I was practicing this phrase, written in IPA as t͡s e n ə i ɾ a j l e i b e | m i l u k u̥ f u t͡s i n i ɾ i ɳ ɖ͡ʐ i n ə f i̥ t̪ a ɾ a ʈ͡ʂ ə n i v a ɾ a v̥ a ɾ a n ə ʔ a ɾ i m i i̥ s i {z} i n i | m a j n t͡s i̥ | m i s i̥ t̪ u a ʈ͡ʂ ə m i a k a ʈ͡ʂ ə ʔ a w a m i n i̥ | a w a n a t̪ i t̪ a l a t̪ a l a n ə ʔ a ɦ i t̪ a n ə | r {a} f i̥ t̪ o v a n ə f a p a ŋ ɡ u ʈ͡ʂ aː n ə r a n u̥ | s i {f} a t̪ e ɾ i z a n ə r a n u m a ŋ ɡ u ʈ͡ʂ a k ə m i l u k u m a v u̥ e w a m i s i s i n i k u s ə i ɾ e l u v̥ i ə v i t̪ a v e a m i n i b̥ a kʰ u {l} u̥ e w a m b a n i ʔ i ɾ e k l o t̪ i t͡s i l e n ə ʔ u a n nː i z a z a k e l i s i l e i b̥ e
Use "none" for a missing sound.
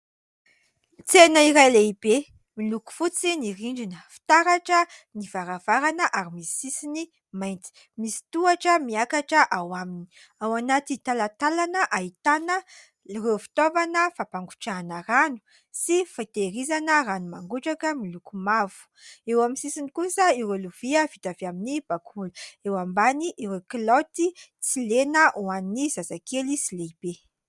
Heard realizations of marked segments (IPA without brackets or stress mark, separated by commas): s, e, f, l